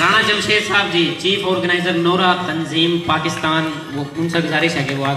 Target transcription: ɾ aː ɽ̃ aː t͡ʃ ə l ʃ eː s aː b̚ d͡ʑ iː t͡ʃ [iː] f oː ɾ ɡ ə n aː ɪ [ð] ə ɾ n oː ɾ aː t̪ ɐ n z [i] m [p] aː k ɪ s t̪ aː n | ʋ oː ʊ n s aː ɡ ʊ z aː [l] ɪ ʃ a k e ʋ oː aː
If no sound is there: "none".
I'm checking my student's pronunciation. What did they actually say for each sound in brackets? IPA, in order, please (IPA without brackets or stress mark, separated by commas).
iː, z, iː, p, ɾ